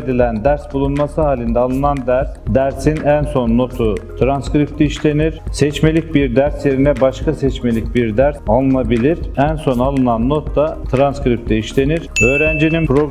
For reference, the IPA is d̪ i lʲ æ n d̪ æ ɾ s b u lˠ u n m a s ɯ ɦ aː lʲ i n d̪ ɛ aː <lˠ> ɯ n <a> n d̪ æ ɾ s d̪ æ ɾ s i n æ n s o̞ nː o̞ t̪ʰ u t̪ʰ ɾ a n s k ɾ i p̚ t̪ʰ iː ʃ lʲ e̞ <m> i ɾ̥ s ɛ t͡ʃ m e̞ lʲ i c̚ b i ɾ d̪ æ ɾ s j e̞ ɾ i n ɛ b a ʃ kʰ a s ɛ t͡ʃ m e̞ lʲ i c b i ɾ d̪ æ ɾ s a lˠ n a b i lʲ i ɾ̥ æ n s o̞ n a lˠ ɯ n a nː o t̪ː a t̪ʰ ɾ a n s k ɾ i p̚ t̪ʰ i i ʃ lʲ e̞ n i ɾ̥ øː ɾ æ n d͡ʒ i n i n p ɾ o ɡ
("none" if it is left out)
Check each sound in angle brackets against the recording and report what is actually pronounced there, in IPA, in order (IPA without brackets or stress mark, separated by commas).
lˠ, a, n